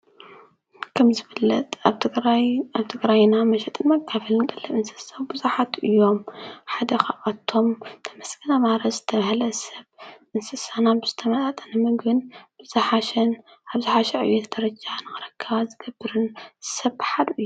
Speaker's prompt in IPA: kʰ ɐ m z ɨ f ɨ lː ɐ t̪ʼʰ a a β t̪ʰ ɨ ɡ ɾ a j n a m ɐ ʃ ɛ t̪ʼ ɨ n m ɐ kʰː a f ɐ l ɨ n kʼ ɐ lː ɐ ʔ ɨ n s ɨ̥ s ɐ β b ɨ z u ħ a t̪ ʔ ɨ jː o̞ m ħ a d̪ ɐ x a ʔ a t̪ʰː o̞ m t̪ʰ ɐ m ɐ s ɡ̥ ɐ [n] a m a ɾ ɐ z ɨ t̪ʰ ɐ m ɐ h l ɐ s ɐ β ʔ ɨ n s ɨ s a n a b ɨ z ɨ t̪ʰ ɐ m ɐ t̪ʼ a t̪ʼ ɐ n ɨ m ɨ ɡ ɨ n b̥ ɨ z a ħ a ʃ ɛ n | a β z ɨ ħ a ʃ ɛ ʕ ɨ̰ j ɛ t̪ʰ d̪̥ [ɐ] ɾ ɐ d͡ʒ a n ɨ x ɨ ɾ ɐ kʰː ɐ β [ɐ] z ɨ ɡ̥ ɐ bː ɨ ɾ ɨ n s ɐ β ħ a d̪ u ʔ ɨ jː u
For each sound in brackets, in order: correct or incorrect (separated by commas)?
correct, correct, incorrect